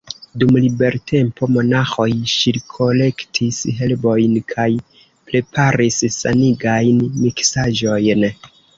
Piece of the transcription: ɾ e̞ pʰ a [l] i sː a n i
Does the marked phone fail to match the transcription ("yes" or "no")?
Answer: yes